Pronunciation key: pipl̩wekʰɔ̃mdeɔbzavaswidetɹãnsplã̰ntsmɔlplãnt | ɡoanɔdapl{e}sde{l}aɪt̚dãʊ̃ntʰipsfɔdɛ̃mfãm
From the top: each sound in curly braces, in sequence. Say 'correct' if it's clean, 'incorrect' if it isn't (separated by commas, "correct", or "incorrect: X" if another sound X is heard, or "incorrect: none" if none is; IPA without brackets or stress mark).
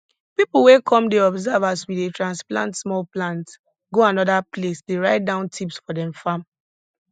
correct, incorrect: ɹ